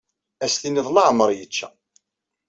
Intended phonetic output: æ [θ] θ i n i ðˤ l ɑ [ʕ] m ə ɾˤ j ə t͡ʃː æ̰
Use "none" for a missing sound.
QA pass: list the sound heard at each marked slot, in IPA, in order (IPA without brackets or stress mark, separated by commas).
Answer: s, ʕ